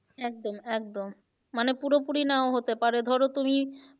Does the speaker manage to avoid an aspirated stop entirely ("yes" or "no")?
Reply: yes